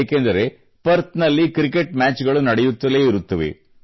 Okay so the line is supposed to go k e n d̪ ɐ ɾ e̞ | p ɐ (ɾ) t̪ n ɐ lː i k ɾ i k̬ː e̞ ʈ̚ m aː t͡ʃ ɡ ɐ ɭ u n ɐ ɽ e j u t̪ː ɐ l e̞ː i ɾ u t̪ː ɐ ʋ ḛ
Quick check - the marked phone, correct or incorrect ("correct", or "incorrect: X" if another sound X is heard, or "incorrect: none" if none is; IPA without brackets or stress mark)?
correct